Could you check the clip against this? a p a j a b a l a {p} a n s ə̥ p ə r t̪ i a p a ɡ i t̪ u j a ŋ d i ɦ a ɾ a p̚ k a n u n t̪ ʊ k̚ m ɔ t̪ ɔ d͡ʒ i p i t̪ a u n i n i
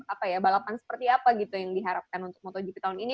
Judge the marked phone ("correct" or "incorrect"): correct